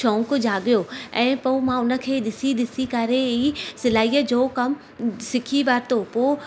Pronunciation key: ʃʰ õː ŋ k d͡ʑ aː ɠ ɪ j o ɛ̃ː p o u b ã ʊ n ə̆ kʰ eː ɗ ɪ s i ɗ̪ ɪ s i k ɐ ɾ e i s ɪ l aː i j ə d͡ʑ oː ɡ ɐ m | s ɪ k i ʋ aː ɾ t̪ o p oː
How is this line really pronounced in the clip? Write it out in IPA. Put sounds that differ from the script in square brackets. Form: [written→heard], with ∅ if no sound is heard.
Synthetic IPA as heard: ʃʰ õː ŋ k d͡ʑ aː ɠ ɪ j o ɛ̃ː p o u [b→m] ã ʊ n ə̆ kʰ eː ɗ ɪ s i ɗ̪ ɪ s i k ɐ ɾ e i s ɪ l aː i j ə d͡ʑ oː [ɡ→k] ɐ m | s ɪ [k→kʰ] i ʋ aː ɾ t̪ o p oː